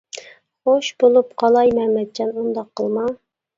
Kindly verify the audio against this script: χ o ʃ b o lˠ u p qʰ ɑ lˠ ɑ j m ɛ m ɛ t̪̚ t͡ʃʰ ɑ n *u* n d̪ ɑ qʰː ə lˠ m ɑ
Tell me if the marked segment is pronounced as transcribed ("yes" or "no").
yes